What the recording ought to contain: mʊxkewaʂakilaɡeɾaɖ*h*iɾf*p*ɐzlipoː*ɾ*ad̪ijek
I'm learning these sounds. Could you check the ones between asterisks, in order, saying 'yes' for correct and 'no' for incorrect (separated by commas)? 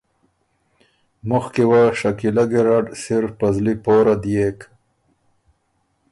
no, yes, yes